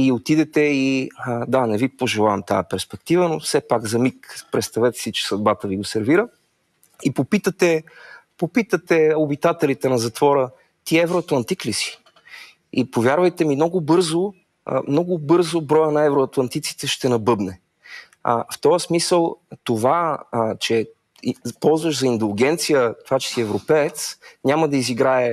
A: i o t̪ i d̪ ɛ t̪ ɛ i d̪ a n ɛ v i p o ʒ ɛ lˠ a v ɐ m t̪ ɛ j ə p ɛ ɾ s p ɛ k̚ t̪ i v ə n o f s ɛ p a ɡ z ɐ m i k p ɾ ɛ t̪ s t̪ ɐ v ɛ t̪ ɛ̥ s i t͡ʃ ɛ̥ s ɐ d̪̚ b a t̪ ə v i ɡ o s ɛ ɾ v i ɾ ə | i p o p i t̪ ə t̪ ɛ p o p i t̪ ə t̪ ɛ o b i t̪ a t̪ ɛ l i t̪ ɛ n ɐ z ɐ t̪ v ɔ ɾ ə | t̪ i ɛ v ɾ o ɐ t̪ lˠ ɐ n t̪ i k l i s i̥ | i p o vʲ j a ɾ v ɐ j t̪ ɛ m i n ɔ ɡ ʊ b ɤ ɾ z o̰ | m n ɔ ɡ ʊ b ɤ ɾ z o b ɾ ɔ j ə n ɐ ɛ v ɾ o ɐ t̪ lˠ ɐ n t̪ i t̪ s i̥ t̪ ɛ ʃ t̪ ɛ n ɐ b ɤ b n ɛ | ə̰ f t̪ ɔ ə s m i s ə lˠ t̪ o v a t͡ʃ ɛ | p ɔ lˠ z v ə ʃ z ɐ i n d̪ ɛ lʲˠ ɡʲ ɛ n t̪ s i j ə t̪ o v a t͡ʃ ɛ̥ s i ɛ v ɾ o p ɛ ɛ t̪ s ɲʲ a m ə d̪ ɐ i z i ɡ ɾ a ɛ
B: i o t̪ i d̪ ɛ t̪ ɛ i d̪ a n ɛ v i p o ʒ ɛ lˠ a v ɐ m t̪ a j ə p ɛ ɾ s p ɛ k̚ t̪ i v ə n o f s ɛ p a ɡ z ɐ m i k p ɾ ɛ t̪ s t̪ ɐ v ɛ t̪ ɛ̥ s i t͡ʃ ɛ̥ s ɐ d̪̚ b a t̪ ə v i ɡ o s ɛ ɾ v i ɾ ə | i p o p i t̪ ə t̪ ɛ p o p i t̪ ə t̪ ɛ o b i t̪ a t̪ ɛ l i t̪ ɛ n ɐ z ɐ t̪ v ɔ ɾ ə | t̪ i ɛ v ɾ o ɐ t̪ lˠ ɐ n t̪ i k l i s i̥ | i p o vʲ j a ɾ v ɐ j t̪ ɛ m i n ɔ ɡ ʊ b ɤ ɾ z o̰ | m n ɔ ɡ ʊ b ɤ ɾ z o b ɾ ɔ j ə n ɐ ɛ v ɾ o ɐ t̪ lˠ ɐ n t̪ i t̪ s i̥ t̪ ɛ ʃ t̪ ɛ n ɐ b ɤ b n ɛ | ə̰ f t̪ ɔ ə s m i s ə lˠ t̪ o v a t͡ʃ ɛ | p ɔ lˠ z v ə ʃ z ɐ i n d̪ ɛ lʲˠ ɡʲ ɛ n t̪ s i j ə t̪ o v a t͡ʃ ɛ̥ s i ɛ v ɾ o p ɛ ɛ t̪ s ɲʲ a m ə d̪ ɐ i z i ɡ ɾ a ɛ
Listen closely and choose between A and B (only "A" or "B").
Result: B